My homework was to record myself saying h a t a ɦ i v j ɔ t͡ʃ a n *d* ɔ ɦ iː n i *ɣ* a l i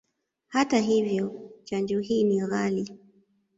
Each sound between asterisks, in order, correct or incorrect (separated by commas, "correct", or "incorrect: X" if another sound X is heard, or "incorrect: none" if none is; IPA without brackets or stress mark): incorrect: d͡ʒ, correct